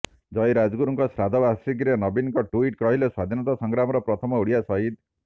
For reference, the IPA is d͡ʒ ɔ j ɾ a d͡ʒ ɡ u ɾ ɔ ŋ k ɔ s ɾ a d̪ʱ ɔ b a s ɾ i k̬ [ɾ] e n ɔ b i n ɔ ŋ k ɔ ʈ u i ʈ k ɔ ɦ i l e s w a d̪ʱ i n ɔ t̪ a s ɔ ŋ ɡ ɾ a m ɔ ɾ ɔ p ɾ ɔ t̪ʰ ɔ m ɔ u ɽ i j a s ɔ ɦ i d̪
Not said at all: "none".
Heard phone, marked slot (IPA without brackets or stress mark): ɾ